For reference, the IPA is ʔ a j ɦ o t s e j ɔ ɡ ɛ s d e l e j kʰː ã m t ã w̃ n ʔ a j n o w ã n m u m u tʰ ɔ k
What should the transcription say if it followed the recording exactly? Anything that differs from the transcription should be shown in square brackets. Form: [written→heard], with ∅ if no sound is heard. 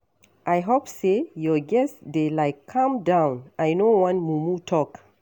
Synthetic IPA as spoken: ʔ a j ɦ o [t→p] s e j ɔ ɡ ɛ s d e l [e→a] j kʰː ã m [t→d] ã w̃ n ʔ a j n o w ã n m u m u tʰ ɔ k